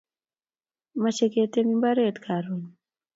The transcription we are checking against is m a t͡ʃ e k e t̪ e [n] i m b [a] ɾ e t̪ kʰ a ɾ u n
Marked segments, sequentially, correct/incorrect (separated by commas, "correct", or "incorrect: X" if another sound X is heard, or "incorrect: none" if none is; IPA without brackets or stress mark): incorrect: m, correct